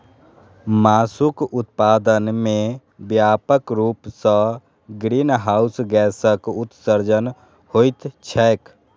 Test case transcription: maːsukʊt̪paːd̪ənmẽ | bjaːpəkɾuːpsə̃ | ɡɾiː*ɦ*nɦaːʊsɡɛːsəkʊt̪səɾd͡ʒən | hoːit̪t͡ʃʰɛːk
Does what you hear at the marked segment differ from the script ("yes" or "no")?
yes